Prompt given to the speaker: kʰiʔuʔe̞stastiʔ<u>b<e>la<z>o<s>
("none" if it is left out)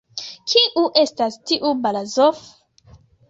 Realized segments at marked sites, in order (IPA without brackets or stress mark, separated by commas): u, a, z, f